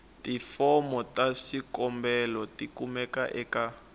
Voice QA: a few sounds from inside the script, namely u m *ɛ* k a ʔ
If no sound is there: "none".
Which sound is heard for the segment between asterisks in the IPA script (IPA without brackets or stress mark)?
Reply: ɛ